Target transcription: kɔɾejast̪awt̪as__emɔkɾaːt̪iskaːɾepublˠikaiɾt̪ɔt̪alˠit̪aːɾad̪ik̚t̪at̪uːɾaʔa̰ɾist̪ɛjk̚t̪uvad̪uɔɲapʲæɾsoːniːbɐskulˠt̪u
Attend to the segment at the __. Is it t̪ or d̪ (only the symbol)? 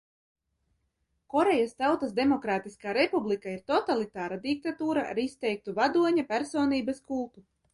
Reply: d̪